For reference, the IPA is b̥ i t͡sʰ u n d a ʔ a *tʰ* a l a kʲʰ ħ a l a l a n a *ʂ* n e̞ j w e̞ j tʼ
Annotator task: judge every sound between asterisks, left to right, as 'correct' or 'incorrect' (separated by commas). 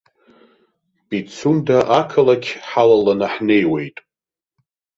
incorrect, incorrect